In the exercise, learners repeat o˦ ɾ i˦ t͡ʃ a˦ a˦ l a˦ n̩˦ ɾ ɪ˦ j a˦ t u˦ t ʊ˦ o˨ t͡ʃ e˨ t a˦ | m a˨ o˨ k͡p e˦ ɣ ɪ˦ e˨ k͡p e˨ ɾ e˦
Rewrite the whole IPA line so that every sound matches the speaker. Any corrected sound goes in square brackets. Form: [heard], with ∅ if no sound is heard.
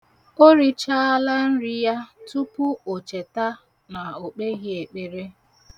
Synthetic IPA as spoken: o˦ ɾ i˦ t͡ʃ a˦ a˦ l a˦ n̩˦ ɾ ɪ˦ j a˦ t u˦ [p] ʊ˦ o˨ t͡ʃ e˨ t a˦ | [n] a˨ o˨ k͡p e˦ ɣ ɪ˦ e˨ k͡p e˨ ɾ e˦